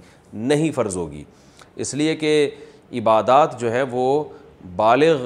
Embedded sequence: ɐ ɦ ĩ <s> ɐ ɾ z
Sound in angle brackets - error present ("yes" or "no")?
yes